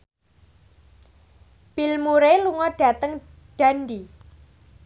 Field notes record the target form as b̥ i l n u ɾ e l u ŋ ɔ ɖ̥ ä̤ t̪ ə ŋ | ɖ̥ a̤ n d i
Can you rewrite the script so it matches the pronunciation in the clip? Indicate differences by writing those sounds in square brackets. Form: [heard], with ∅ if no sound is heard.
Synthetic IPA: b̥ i l [m] u ɾ e l u ŋ ɔ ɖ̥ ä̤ t̪ ə ŋ | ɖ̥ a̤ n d i